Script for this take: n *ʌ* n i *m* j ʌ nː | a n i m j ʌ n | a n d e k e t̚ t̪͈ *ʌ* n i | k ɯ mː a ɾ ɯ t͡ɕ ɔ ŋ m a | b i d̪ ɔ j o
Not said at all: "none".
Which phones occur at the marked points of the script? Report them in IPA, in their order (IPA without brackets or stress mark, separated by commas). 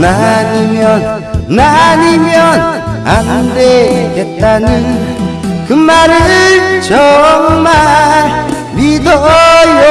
a, m, a